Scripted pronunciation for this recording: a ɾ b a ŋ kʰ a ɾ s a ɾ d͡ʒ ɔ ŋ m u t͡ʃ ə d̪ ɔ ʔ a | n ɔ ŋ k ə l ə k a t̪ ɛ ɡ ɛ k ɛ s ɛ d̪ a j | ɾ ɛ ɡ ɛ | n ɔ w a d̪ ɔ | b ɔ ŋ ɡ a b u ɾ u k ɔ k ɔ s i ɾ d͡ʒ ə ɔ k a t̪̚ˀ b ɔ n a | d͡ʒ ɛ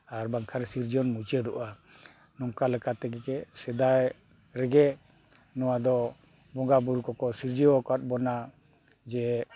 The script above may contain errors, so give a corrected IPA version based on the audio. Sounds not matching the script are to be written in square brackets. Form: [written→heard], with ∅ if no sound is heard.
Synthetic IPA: a ɾ b a ŋ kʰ a ɾ s [a→i] ɾ d͡ʒ ɔ [ŋ→n] m u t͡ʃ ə d̪ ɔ ʔ a | n ɔ ŋ k [ə→a] l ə k a t̪ ɛ ɡ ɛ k ɛ s ɛ d̪ a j | ɾ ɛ ɡ ɛ | n ɔ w a d̪ ɔ | b ɔ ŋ ɡ a b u ɾ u k ɔ k ɔ s i ɾ d͡ʒ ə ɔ k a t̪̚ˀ b ɔ n a | d͡ʒ ɛ